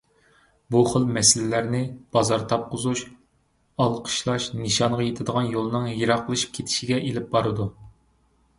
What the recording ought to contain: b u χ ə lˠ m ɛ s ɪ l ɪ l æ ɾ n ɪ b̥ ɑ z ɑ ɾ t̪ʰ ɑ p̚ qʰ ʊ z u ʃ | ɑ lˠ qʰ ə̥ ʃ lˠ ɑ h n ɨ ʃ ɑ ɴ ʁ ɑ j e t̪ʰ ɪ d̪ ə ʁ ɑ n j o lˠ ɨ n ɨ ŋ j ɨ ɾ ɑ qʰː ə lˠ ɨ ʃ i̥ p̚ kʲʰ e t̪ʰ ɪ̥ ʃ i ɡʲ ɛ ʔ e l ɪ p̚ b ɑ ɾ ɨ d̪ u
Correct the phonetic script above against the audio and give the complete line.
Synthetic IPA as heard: b u χ ə lˠ m ɛ s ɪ l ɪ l æ ɾ n ɪ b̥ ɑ z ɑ ɾ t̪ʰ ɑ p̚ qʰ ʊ z u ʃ | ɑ lˠ qʰ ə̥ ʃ lˠ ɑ ʃ n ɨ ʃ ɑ ɴ ʁ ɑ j e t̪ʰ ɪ d̪ ə ʁ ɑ n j o lˠ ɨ n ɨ ŋ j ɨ ɾ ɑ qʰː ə lˠ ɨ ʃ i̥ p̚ kʲʰ e t̪ʰ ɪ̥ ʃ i ɡʲ ɛ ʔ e l ɪ p̚ b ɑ ɾ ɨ d̪ u